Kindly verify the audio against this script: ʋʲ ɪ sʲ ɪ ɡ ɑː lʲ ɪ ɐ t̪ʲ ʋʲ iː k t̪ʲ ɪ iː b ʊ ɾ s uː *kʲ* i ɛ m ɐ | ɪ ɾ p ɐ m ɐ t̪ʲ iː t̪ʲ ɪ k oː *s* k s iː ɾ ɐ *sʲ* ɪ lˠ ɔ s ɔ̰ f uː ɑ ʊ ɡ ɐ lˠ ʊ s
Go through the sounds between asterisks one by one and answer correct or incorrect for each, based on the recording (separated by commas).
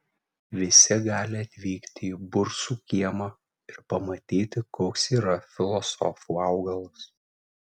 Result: correct, incorrect, incorrect